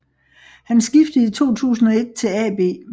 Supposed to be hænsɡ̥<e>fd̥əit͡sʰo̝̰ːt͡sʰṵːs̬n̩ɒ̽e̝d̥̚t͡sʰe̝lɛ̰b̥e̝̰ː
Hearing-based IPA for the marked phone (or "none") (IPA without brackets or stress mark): i